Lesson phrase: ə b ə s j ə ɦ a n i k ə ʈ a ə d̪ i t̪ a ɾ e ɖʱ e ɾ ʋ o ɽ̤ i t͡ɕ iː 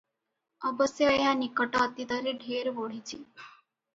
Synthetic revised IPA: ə b ə s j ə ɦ a n i k ə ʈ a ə t̪ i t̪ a ɾ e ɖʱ e ɾ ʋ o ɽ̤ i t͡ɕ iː